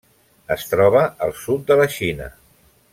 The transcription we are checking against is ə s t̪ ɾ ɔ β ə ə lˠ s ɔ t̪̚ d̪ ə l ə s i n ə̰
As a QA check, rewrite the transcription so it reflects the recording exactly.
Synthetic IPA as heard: ə s t̪ ɾ ɔ β ə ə lˠ s u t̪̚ d̪ ə l ə ʃ i n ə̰